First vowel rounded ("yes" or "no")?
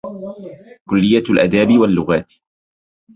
yes